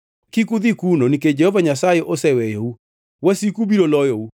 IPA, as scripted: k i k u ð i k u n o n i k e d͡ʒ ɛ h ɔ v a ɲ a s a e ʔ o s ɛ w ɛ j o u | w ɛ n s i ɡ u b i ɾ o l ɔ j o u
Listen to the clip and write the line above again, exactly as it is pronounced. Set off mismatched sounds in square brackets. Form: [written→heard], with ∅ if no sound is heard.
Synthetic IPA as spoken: k i k u ð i k u n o n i k e d͡ʒ ɛ h ɔ v a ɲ a s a e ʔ o s ɛ w ɛ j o u | w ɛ [n→∅] s i [ɡ→k] u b i ɾ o l ɔ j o u